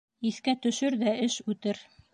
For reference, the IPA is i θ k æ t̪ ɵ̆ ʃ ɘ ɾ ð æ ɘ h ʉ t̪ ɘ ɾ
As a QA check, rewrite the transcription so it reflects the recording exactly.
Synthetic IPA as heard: i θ k æ t̪ ɵ̆ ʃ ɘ ɾ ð æ ɘ ʃ ʉ t̪ ɘ ɾ